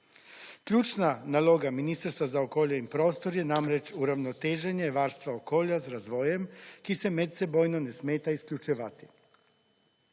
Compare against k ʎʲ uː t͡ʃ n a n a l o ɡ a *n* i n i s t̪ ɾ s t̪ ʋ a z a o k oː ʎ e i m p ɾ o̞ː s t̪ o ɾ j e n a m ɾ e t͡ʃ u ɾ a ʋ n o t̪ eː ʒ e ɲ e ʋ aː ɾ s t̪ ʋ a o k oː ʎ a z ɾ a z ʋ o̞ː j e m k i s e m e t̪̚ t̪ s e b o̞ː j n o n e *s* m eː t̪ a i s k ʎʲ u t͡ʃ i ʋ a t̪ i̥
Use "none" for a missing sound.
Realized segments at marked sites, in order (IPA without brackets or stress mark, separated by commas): m, s